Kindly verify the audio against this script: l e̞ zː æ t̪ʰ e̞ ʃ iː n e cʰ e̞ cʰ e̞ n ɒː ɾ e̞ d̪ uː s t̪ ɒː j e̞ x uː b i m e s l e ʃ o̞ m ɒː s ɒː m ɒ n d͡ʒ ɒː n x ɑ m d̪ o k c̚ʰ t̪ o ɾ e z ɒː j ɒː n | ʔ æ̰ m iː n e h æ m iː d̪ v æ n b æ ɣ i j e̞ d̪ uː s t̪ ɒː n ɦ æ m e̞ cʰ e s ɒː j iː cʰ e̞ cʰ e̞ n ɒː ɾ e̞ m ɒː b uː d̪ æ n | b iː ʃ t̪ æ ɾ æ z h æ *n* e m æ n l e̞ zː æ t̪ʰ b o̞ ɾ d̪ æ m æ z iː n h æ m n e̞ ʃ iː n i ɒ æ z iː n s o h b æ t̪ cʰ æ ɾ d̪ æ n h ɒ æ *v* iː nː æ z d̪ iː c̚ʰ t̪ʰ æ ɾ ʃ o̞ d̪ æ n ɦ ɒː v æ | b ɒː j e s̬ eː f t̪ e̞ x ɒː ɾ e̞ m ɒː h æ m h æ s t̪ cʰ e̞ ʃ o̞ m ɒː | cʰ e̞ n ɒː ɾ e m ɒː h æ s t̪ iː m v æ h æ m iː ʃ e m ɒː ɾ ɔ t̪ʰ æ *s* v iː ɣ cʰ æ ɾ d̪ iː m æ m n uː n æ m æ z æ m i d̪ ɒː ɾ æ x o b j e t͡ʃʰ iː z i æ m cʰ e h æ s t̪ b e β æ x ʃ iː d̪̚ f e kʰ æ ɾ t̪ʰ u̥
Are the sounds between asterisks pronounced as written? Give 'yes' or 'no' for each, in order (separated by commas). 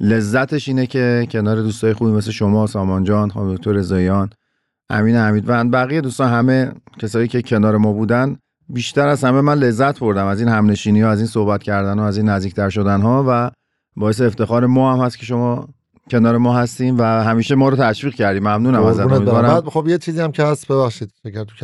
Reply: no, no, no